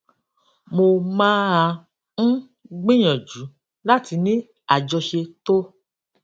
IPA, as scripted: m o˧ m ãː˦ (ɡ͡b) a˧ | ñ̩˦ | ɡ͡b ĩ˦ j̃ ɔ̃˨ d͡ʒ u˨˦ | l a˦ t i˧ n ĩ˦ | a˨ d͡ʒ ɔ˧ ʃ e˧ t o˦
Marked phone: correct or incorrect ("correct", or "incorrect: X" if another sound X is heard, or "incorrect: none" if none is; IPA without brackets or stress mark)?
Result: incorrect: none